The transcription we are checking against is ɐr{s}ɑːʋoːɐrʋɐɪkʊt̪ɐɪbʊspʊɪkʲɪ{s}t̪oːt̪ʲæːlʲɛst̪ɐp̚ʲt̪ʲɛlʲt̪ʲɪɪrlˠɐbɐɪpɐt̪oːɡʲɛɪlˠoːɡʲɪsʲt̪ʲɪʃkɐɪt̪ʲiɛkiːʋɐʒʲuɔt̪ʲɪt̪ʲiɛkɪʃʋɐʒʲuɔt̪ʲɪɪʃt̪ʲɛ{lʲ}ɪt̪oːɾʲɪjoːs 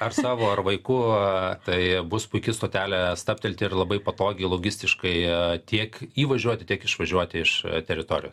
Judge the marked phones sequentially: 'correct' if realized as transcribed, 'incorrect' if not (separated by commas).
correct, correct, incorrect